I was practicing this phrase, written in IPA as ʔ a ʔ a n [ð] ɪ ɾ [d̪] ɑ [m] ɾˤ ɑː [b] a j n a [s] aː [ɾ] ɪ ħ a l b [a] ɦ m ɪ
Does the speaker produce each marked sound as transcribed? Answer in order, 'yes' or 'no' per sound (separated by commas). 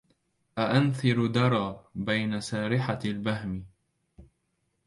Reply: no, yes, no, yes, yes, yes, yes